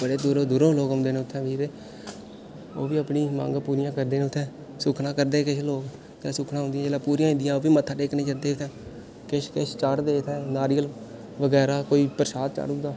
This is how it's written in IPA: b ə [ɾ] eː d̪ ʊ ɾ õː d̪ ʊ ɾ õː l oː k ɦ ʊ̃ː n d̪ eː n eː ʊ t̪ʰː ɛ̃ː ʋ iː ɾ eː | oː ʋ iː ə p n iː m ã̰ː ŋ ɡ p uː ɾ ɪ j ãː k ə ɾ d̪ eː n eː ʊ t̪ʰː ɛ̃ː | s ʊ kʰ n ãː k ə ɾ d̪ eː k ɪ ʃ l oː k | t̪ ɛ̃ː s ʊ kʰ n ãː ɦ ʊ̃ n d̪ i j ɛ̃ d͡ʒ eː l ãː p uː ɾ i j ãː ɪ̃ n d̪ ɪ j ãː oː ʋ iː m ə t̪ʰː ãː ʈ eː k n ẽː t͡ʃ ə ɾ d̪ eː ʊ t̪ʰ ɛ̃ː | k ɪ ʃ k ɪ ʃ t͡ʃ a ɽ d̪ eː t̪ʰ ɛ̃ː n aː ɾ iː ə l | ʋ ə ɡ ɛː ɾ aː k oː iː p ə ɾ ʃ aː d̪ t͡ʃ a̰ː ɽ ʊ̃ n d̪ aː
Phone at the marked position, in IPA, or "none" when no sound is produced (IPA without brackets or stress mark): ɽ